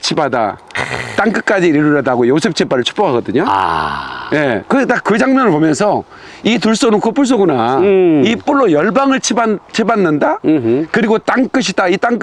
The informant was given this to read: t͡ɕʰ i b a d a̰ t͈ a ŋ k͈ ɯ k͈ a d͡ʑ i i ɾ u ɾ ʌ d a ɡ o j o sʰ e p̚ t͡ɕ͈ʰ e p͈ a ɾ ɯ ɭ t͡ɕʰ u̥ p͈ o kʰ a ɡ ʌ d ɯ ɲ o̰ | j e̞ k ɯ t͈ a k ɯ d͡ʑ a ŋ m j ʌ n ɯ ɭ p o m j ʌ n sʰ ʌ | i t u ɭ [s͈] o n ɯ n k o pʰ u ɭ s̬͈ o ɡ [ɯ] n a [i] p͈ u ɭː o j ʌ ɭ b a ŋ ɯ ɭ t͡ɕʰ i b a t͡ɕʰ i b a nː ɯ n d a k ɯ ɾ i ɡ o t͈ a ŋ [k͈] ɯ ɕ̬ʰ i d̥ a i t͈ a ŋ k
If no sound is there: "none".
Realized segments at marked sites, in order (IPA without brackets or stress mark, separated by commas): s͈, u, i, k͈